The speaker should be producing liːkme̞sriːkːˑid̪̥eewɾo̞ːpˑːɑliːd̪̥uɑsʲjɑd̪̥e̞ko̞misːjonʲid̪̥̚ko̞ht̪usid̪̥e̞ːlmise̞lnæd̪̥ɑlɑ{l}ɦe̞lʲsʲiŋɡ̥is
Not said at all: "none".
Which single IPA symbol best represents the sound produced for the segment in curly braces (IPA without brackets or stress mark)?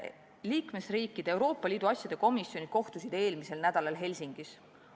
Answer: l